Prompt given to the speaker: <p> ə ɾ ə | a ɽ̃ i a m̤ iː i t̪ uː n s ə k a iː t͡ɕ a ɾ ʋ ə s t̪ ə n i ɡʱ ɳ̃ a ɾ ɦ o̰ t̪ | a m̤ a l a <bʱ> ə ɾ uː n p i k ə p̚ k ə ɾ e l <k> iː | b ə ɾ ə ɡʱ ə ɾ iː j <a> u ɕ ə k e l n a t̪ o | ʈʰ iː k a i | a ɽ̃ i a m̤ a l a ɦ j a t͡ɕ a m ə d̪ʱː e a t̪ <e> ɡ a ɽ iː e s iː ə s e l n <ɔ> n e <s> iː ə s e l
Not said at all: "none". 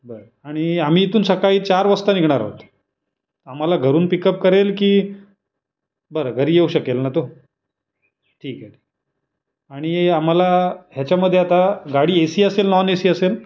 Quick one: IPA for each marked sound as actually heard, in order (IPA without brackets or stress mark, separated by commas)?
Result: b, ɡʱ, k, e, a, ɔ, s